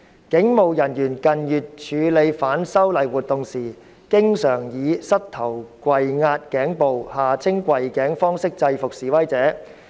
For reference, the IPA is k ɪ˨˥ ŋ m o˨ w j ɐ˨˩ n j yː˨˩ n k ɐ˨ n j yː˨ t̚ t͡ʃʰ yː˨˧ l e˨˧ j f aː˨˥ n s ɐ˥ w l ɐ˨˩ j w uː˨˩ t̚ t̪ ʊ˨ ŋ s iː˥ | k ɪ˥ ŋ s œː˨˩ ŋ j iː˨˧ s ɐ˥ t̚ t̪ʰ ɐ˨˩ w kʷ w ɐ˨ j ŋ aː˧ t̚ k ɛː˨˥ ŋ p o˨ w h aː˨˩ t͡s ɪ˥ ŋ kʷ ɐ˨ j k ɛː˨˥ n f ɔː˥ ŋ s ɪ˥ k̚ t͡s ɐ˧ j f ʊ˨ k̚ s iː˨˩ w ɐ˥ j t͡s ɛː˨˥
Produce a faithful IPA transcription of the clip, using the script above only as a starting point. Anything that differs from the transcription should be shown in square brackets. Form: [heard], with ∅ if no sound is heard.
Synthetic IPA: k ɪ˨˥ ŋ m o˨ w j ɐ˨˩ n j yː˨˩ n k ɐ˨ n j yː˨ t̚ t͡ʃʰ yː˨˧ l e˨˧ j f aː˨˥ n s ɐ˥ w l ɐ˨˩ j w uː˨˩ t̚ t̪ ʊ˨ ŋ s [iː˨˩] | k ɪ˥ ŋ s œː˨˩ ŋ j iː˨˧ s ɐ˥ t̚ t̪ʰ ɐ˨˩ w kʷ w ɐ˨ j ŋ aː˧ t̚ k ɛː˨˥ ŋ p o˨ w h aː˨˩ [t͡sʰ] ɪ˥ ŋ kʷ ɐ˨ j k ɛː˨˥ [ŋ] f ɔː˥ ŋ s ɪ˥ k̚ t͡s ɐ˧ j f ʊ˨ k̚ s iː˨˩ w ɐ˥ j t͡s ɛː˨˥